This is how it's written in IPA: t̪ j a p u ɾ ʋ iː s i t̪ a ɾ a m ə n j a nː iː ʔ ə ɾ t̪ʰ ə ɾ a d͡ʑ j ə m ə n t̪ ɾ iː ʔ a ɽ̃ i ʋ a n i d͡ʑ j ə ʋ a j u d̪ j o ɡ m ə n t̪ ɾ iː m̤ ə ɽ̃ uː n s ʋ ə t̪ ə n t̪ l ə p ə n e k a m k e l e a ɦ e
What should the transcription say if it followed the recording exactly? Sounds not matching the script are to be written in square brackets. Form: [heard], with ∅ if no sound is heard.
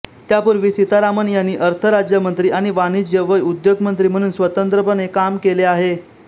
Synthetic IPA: t̪ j a p u ɾ ʋ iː s i t̪ a ɾ a m ə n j a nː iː ʔ ə ɾ t̪ʰ ə ɾ a d͡ʑ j ə m ə n t̪ ɾ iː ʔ a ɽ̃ i ʋ a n i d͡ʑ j ə ʋ [ə] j u d̪ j o ɡ m ə n t̪ ɾ iː m̤ ə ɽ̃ uː n s ʋ ə t̪ ə n t̪ [ɾ] ə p ə n e k a m k e l e a ɦ e